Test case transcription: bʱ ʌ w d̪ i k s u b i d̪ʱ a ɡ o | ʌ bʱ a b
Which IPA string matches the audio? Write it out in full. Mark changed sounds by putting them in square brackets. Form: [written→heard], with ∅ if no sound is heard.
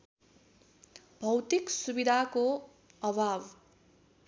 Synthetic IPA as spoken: bʱ ʌ w [d̪→t̪] i k s u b i d̪ʱ a [ɡ→k] o | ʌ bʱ a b

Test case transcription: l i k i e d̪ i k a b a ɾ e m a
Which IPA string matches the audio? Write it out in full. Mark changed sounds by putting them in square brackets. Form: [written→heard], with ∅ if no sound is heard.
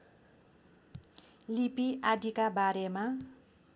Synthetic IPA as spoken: l i [k→p] i [e→a] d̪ i k a b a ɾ e m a

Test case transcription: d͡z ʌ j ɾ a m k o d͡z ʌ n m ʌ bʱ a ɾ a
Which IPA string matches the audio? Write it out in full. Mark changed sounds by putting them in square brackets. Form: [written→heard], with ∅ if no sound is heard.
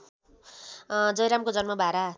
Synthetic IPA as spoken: d͡z ʌ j ɾ a m k o d͡z ʌ n m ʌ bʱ a ɾ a

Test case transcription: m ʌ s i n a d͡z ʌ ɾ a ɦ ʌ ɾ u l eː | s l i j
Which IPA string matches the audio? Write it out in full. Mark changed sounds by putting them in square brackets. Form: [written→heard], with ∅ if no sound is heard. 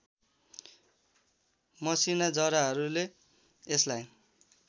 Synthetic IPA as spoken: m ʌ s i n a d͡z ʌ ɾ a ɦ ʌ ɾ u l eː | s l [i→a] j

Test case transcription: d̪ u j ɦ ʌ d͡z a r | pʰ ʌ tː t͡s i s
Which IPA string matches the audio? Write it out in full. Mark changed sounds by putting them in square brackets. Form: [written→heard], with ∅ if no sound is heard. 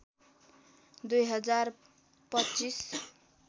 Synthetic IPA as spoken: d̪ u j ɦ ʌ d͡z a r | [pʰ→p] ʌ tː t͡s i s

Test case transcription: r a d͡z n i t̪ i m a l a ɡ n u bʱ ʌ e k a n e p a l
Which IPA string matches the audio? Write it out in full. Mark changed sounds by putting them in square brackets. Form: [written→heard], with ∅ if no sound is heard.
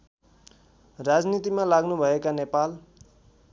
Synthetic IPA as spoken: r a d͡z n i t̪ i m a l a ɡ n u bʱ ʌ e k a n e p a l

